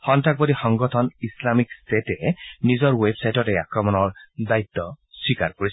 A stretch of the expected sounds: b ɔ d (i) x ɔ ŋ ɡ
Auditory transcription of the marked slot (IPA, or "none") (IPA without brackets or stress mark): i